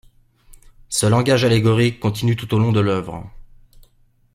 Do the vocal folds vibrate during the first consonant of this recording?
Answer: no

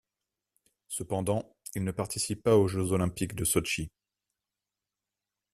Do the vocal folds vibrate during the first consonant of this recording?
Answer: no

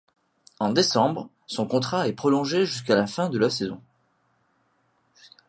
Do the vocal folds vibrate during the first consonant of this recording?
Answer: yes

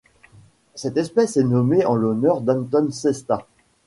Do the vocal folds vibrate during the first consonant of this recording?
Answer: no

